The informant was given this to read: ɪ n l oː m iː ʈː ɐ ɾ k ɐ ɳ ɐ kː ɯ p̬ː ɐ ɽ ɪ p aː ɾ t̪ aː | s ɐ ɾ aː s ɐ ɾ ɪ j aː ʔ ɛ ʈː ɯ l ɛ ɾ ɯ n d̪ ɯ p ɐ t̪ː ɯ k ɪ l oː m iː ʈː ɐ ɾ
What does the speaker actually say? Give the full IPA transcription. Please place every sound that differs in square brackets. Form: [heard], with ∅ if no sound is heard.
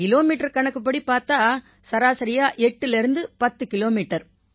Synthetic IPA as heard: ɪ [∅] l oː m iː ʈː ɐ ɾ k ɐ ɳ ɐ kː ɯ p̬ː ɐ ɽ [i] p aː ɾ t̪ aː | s ɐ ɾ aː s ɐ ɾ ɪ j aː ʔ ɛ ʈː ɯ l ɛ ɾ ɯ n d̪ ɯ p ɐ t̪ː ɯ k ɪ l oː m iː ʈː ɐ ɾ